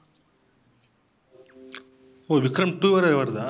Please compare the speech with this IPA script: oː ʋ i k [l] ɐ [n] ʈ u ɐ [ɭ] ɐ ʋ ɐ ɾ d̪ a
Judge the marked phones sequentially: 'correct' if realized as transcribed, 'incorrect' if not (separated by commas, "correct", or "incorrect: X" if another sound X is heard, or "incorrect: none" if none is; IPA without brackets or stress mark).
incorrect: ɾ, incorrect: m, incorrect: ɾ